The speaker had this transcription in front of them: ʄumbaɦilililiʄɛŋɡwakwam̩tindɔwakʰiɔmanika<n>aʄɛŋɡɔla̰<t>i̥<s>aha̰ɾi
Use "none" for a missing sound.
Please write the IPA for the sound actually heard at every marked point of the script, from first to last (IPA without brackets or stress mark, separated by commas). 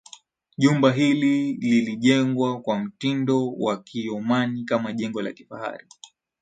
m, k, f